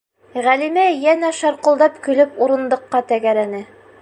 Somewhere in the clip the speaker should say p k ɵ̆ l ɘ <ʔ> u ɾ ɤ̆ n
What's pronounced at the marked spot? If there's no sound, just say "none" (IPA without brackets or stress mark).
p